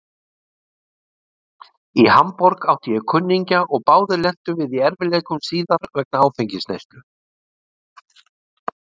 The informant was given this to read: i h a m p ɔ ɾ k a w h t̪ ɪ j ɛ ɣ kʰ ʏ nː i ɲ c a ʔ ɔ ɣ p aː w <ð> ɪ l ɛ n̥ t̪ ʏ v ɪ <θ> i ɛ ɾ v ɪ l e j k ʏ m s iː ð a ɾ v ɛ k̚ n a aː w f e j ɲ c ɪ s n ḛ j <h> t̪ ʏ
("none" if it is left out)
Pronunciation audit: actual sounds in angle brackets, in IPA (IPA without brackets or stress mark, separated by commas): ð, ð, s